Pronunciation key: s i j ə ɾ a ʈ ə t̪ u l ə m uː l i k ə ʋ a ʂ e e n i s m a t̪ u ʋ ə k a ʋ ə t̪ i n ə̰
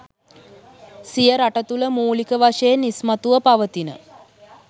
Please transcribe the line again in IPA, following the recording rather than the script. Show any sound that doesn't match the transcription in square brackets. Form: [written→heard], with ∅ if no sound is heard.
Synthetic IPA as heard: s i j ə ɾ a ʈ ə t̪ u l ə m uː l i k ə ʋ a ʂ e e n i s m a t̪ u ʋ ə [k→p] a ʋ ə t̪ i n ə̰